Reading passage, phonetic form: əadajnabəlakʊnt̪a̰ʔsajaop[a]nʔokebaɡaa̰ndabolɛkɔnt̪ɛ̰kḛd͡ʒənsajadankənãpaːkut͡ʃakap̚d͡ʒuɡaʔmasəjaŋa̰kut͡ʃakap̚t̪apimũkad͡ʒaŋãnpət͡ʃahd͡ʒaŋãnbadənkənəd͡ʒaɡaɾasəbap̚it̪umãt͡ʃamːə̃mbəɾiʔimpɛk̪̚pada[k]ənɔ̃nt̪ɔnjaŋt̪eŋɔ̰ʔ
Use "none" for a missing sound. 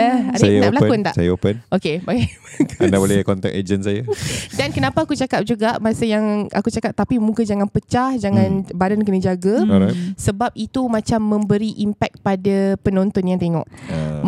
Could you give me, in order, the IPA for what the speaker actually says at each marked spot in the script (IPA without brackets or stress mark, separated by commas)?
ə, p